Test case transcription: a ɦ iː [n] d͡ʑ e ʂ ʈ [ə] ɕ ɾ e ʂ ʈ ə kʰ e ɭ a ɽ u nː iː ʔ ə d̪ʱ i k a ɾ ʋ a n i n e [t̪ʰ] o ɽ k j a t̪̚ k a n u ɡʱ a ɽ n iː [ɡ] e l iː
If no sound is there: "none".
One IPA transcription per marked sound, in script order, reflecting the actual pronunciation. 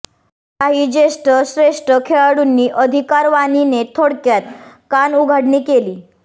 none, ə, t̪ʰ, k

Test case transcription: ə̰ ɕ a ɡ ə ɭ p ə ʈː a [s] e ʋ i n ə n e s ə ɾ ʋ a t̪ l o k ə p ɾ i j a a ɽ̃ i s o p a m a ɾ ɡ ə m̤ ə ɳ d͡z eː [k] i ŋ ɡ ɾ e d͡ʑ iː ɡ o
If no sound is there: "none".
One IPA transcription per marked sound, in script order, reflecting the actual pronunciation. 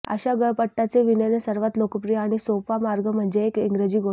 t͡s, k

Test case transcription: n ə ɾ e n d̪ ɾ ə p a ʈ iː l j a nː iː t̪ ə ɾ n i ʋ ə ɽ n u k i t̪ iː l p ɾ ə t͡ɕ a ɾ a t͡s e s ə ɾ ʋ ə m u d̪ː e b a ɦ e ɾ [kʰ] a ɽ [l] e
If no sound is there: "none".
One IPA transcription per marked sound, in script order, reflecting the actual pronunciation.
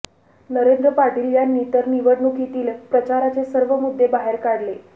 k, l

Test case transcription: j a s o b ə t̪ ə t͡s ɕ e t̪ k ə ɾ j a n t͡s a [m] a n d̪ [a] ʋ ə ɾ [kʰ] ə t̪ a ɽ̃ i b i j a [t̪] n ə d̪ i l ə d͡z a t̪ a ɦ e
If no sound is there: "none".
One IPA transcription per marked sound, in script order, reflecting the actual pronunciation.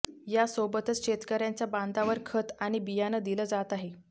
b, a, kʰ, none

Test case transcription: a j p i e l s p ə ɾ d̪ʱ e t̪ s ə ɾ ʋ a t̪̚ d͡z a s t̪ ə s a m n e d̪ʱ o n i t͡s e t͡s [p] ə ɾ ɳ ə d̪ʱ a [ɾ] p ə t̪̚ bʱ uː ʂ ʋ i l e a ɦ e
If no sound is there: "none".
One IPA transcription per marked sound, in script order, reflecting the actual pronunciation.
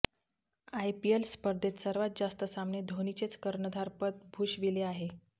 k, ɾ

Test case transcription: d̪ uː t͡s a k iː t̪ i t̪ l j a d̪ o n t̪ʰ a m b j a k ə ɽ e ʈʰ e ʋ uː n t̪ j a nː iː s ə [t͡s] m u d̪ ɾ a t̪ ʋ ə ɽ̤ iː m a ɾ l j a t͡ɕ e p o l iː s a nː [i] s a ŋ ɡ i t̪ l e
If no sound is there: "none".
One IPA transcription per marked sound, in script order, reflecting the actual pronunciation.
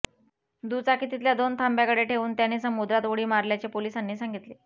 none, iː

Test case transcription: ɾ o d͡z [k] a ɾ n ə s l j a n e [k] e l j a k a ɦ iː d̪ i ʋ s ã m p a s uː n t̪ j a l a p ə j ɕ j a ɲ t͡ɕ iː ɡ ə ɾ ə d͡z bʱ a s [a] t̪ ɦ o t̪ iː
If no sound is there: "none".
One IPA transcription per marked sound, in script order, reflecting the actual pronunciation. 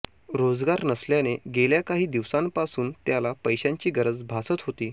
ɡ, ɡ, ə

